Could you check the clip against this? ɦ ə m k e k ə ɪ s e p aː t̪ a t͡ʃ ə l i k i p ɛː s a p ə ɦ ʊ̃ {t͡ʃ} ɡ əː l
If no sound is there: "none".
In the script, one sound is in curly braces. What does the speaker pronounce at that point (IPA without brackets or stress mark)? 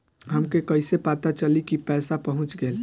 t͡ʃ